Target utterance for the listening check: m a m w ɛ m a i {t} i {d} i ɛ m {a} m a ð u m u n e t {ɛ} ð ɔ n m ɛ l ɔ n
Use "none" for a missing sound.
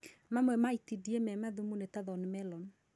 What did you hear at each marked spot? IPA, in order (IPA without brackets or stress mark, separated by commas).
t, d, ɛ, a